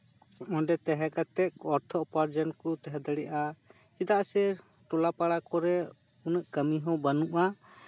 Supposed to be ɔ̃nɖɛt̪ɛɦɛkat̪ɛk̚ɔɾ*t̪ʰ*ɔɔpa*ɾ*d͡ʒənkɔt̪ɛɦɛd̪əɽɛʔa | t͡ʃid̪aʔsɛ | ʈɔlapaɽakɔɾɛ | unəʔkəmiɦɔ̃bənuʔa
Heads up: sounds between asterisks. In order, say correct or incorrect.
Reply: correct, correct

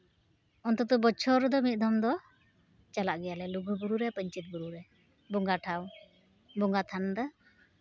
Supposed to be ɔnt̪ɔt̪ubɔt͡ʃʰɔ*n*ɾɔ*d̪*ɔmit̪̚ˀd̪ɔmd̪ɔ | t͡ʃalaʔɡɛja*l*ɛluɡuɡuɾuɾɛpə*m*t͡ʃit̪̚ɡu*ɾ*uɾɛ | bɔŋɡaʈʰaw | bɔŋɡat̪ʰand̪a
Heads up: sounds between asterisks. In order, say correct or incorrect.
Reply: incorrect, correct, correct, incorrect, correct

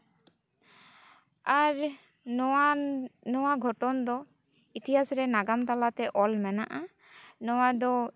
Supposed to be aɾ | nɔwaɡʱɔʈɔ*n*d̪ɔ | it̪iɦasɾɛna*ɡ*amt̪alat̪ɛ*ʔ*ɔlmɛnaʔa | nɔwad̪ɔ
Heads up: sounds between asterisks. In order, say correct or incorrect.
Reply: correct, correct, correct

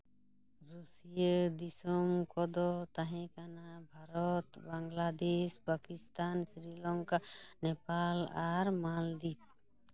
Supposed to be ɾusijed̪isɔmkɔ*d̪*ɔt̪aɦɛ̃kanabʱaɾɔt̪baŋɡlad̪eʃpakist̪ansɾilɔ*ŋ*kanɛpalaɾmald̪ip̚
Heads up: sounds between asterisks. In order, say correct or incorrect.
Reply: correct, correct

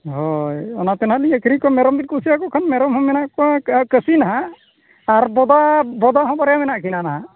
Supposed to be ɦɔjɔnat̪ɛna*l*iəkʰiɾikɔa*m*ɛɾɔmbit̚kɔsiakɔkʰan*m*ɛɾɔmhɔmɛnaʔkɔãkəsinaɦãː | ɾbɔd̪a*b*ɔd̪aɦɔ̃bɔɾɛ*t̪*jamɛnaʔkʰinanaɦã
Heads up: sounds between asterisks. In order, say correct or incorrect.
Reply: correct, correct, correct, correct, incorrect

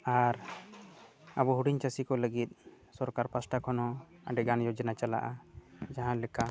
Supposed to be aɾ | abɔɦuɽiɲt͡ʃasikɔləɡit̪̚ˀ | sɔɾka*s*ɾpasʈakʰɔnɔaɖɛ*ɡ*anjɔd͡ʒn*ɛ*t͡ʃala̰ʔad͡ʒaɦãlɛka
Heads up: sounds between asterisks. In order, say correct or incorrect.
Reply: incorrect, correct, incorrect

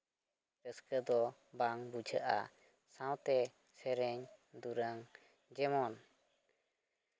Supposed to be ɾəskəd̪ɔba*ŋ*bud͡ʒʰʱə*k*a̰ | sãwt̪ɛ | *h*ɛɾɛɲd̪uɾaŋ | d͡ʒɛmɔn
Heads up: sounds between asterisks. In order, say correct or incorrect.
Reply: correct, incorrect, incorrect

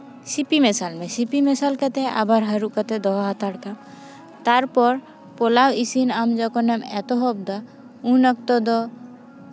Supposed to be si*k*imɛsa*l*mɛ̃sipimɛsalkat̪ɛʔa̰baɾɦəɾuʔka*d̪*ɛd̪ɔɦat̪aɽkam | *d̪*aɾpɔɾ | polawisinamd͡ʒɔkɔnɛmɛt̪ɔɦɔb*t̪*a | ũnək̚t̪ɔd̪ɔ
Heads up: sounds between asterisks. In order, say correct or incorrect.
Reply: incorrect, correct, incorrect, incorrect, incorrect

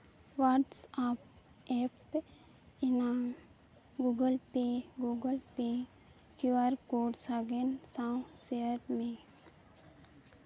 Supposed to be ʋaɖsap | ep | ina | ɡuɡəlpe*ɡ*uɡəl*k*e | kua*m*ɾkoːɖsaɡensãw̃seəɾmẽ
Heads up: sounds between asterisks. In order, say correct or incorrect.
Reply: correct, incorrect, incorrect

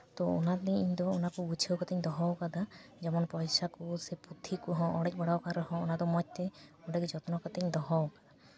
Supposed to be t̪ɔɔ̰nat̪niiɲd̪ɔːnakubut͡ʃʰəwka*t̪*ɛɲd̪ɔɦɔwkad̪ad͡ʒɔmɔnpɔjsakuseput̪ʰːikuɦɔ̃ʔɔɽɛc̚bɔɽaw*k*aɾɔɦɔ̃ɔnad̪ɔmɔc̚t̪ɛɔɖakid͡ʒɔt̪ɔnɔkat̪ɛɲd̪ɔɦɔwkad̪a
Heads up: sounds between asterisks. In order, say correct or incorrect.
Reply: correct, correct

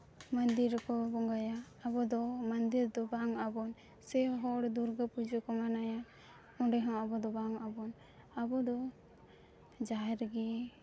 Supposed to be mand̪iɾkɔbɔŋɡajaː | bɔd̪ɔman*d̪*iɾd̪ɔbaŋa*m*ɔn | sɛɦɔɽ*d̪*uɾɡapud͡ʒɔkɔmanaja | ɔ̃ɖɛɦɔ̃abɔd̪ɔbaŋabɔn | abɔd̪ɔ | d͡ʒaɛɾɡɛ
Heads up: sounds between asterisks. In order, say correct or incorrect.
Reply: correct, incorrect, correct

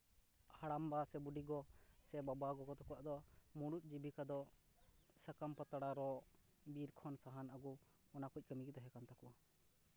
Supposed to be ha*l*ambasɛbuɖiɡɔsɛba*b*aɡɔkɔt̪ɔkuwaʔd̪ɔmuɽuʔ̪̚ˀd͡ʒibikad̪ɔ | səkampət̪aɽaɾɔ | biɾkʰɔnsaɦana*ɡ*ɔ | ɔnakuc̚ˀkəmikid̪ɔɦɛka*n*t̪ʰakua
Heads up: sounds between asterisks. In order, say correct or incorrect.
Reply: incorrect, correct, correct, correct

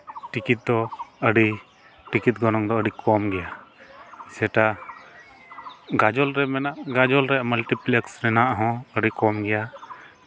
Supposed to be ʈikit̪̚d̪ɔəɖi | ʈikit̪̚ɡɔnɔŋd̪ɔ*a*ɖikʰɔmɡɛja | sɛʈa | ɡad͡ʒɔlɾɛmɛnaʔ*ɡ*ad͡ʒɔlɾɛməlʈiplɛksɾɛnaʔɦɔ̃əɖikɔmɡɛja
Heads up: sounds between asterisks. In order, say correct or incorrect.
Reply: incorrect, correct

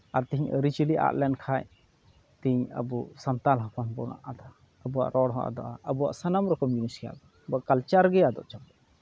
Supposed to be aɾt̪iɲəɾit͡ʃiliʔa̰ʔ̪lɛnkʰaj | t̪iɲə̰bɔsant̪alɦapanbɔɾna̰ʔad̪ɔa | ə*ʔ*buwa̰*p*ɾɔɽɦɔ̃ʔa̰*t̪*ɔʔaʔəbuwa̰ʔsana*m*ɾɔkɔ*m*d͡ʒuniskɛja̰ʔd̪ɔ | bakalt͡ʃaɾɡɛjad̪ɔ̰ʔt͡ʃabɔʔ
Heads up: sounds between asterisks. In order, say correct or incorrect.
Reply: incorrect, incorrect, incorrect, correct, correct

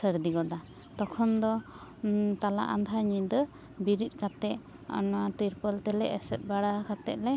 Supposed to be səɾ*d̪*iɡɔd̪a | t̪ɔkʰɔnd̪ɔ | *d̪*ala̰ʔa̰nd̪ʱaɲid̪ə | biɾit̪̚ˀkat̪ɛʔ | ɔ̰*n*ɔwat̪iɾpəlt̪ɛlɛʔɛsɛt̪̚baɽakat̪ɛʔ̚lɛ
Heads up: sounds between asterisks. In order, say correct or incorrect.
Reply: correct, incorrect, correct

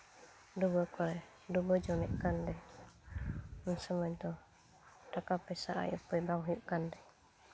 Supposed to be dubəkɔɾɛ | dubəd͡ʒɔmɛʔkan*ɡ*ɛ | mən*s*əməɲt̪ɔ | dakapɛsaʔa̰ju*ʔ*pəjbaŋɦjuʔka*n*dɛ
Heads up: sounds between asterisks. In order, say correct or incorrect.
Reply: incorrect, correct, incorrect, correct

